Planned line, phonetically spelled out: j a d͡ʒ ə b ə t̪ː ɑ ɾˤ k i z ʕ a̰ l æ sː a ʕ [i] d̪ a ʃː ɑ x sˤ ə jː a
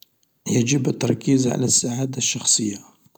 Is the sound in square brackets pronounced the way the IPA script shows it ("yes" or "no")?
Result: no